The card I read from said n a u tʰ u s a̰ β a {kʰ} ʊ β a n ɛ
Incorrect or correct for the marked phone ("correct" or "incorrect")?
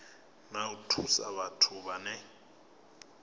incorrect